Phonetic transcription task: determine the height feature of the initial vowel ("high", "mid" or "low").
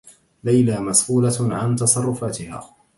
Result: low